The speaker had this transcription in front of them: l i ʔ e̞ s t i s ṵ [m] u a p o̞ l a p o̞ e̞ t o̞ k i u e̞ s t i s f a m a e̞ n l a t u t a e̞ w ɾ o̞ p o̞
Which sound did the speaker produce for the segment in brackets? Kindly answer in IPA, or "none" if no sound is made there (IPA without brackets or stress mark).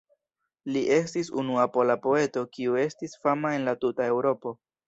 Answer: n